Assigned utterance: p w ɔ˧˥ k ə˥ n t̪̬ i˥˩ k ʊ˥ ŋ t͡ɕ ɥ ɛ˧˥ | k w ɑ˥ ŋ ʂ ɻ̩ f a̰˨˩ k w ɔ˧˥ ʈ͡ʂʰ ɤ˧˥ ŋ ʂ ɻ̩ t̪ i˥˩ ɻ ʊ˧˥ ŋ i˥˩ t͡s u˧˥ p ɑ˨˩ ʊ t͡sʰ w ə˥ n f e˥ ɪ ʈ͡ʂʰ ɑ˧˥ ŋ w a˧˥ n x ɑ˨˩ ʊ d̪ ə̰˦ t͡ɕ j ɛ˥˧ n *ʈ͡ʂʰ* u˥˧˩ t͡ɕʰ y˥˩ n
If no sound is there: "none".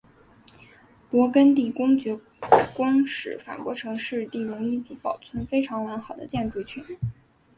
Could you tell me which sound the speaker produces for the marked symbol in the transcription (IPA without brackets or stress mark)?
ʈ͡ʂ